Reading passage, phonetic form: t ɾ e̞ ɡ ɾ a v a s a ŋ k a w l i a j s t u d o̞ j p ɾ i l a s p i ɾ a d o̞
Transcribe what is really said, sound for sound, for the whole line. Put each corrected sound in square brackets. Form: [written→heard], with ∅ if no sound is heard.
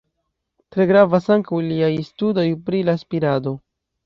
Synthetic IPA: t ɾ e̞ ɡ ɾ a v a s a ŋ k a w l i a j s t u d o̞ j p ɾ i l a s p i ɾ a d o̞

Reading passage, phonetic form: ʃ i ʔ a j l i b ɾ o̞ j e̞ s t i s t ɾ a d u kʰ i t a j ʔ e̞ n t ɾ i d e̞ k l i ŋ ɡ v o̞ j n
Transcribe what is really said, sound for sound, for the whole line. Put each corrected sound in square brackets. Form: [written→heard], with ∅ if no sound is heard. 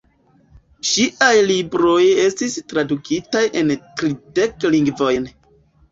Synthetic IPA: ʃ i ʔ a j l i b ɾ o̞ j e̞ s t i s t ɾ a d u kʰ i t a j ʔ e̞ n t ɾ i d e̞ k l i ŋ ɡ v o̞ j n

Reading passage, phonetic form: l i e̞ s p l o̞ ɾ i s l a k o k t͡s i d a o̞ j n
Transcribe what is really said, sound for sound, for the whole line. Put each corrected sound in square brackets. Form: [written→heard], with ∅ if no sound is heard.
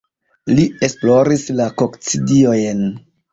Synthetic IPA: l i e̞ s p l o̞ ɾ i s l a k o k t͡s i d [a→i] o̞ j n

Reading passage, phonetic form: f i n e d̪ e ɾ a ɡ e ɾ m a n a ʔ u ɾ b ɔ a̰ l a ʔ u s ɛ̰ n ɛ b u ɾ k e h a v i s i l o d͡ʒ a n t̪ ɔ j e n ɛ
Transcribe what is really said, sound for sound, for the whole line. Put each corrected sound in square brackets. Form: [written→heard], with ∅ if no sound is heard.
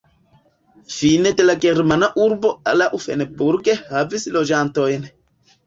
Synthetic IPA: f i n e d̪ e [ɾ→l] a ɡ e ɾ m a n a ʔ u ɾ b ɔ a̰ l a ʔ u [s→f] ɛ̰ n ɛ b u ɾ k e h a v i s i l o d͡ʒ a n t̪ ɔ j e n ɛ

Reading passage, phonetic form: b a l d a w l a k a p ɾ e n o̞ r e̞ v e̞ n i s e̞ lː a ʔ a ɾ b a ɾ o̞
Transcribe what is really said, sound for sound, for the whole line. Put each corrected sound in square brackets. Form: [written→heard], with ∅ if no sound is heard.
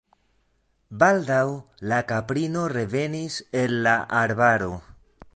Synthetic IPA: b a l d a w l a k a p ɾ [e→i] n o̞ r e̞ v e̞ n i s e̞ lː a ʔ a ɾ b a ɾ o̞

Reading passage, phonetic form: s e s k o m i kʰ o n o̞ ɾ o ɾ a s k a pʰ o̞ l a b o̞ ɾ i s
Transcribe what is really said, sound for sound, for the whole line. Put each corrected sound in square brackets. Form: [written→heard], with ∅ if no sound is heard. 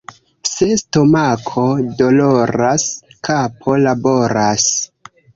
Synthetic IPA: s e s [k→t] o m [i→a] kʰ o [n→d] o̞ [ɾ→l] o ɾ a s k a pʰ o̞ l a b o̞ ɾ [i→a] s

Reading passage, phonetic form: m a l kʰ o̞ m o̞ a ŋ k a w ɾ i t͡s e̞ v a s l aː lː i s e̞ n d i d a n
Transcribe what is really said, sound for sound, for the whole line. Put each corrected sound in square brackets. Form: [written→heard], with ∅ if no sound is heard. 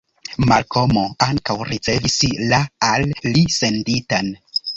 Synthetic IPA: m a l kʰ o̞ m o̞ a ŋ k a w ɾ i t͡s e̞ v [a→i] s l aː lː i s e̞ n d i [d→t] a n

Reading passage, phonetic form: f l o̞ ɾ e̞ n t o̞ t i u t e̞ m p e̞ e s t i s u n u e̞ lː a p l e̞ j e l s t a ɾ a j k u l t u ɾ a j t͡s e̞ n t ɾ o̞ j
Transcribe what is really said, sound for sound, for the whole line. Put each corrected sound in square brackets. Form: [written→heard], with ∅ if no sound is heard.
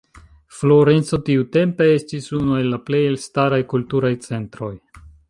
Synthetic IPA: f l o̞ ɾ e̞ n [t→t͡s] o̞ t i u t e̞ m p e̞ e s t i s u n u e̞ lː a p l e̞ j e l s t a ɾ a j k u l t u ɾ a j t͡s e̞ n t ɾ o̞ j

